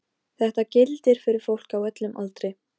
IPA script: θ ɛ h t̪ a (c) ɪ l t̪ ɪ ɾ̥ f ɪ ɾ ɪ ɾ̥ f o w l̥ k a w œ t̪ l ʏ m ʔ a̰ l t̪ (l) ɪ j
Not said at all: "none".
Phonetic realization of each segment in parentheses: c, ɾ

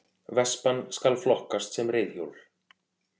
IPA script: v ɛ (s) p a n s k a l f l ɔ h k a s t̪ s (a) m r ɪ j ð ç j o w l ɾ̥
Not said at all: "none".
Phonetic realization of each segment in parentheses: s, ɛ

